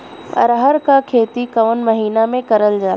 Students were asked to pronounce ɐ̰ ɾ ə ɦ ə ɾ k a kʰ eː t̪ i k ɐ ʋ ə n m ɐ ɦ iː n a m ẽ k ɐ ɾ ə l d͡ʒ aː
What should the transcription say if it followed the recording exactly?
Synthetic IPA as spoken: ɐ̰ ɾ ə ɦ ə ɾ k a kʰ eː t̪ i k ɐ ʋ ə n m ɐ ɦ iː n a m ẽ k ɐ ɾ ə l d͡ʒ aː